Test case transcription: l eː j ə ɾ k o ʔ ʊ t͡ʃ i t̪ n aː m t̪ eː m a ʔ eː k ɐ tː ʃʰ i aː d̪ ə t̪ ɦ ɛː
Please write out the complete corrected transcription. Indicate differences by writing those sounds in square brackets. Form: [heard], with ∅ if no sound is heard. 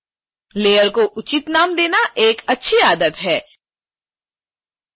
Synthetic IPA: l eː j ə ɾ k o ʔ ʊ t͡ʃ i t̪ n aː m [d̪] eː [n] a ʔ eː k ɐ tː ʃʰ i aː d̪ ə t̪ ɦ ɛː